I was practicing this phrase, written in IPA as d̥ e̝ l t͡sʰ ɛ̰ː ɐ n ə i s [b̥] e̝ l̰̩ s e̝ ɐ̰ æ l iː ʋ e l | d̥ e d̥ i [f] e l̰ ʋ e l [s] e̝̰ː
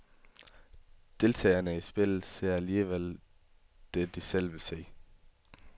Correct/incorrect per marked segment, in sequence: correct, incorrect: s, correct

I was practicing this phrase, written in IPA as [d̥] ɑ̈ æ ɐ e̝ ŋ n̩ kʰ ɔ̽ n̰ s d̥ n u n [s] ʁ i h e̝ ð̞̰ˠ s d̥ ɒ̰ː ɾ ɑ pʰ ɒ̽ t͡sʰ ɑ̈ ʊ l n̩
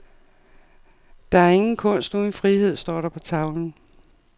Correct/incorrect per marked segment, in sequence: correct, incorrect: f

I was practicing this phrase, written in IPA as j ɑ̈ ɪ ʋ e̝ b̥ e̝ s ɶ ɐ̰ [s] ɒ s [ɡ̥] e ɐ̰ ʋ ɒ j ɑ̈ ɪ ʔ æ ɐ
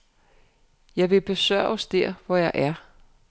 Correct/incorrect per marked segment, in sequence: incorrect: none, incorrect: d̥

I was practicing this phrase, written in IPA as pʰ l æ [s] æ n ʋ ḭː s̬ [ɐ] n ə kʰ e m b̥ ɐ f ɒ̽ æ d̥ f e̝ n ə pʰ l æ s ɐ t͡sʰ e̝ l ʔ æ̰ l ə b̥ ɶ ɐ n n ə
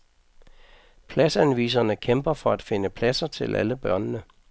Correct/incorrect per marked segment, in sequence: correct, correct

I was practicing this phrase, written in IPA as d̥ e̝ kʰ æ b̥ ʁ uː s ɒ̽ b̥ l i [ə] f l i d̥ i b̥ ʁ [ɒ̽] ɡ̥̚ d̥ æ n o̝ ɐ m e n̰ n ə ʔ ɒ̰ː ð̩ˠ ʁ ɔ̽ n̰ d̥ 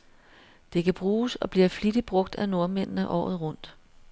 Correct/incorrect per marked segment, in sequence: incorrect: ɐ, incorrect: ɔ̽

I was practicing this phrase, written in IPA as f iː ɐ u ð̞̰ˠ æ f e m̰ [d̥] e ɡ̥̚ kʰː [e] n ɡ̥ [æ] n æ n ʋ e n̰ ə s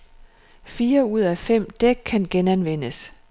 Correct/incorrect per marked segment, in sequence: correct, incorrect: æ, incorrect: e

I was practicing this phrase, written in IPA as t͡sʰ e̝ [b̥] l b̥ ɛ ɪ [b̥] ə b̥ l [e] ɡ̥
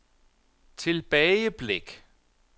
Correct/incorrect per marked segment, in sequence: incorrect: none, incorrect: none, correct

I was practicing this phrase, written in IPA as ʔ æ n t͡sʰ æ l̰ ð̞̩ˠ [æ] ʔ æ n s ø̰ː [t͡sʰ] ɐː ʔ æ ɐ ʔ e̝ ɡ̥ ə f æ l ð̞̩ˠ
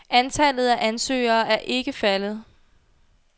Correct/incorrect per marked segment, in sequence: correct, incorrect: none

